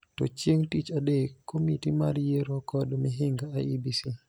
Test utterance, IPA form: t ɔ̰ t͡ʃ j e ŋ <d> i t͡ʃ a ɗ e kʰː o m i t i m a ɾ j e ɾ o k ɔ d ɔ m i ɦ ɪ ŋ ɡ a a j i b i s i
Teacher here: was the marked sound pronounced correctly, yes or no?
no